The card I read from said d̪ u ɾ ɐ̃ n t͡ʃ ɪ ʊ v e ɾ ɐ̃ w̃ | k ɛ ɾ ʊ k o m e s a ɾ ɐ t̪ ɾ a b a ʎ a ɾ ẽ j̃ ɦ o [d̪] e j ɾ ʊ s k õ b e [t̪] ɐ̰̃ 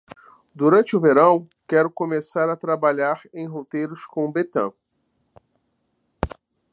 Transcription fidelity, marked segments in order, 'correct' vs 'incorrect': incorrect: t̪, correct

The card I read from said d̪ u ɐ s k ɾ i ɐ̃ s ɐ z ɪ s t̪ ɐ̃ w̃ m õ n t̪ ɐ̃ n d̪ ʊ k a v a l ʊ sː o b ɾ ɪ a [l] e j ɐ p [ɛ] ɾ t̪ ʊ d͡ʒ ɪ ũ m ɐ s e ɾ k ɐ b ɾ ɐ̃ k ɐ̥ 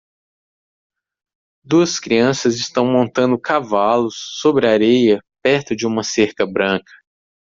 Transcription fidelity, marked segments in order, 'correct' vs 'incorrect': incorrect: ɾ, correct

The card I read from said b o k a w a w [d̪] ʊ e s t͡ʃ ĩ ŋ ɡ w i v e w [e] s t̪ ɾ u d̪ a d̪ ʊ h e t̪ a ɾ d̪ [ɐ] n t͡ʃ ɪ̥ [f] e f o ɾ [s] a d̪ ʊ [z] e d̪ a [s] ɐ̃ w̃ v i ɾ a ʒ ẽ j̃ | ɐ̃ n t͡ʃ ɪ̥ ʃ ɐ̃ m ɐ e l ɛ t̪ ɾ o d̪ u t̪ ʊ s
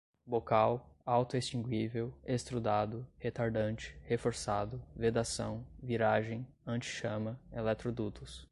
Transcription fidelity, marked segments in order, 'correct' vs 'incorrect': incorrect: t̪, correct, incorrect: ɐ̃, incorrect: h, correct, incorrect: v, correct

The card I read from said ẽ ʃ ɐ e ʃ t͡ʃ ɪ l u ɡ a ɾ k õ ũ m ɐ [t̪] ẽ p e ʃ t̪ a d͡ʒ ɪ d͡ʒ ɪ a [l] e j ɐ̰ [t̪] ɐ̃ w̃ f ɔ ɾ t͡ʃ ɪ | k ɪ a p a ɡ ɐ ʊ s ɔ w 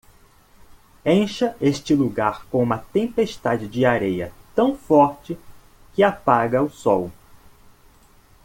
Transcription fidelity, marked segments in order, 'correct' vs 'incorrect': correct, incorrect: ɾ, correct

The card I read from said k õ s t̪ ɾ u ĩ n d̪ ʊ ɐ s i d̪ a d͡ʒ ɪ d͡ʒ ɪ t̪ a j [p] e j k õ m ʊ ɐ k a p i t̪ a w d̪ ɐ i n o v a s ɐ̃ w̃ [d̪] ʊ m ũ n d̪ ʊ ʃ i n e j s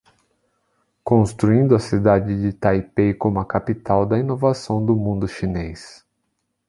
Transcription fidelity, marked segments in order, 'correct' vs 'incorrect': correct, correct

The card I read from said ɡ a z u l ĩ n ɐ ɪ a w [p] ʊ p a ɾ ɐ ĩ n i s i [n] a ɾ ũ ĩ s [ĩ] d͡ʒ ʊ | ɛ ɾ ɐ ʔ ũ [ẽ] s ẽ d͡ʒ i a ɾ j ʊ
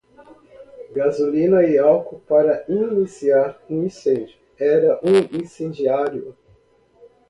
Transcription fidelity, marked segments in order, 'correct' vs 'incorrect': incorrect: k, incorrect: none, incorrect: ẽ, incorrect: ĩ

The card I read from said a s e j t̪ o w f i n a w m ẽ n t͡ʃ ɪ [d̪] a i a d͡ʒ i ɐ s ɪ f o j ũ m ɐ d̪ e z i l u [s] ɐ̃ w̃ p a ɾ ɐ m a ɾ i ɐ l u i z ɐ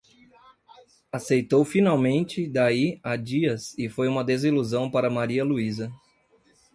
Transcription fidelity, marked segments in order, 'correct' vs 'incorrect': correct, incorrect: z

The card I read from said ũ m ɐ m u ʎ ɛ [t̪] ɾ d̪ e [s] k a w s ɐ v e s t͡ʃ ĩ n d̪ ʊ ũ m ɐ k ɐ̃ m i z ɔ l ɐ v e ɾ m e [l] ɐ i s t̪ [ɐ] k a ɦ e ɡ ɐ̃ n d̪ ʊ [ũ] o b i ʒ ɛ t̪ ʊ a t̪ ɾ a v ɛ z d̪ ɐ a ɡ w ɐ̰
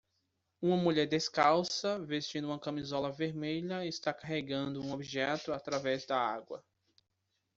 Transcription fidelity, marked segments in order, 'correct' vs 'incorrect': incorrect: none, correct, incorrect: ʎ, incorrect: a, correct

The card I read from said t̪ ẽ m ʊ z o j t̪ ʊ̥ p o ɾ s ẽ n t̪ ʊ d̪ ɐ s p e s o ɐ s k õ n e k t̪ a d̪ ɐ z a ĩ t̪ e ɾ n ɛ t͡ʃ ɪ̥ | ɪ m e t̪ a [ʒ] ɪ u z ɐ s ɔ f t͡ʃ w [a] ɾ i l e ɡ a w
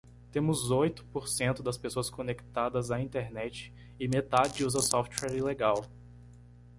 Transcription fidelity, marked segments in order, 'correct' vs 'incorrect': incorrect: d͡ʒ, incorrect: ɛ

